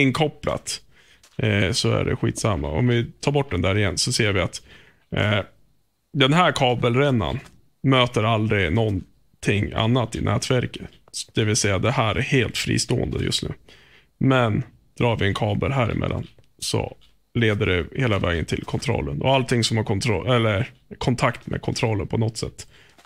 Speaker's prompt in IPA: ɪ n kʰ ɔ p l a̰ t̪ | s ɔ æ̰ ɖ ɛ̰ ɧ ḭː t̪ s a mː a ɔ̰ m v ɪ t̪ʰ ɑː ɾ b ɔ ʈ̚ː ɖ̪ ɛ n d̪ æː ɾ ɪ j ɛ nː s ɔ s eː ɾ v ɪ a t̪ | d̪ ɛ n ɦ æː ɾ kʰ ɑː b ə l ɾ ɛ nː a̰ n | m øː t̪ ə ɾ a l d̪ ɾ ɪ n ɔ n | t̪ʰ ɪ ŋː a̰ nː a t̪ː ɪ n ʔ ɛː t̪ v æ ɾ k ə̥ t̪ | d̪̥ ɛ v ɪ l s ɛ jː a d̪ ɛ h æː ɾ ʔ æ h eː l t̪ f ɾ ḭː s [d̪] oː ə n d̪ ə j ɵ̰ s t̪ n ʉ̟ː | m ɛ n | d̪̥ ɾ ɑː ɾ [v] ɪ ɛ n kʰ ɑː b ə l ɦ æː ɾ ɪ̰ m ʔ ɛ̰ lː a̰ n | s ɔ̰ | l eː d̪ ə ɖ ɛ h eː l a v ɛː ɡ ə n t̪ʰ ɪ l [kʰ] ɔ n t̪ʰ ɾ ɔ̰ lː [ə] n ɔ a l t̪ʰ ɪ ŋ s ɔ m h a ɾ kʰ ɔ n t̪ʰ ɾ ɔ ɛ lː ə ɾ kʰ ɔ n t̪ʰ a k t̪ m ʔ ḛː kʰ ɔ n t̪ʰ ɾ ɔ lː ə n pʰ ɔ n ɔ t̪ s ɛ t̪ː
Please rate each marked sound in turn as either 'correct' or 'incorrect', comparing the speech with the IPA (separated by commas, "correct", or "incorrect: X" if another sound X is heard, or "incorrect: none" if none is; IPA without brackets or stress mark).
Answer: incorrect: t̪, correct, correct, correct